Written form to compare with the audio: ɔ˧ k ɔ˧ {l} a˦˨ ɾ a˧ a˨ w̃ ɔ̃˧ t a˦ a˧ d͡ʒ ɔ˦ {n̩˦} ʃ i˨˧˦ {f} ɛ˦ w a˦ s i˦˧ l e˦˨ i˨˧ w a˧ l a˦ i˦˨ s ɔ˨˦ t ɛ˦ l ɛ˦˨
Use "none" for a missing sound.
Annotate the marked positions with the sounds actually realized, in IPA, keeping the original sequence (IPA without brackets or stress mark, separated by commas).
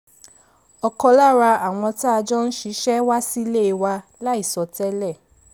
l, n̩˦, ʃ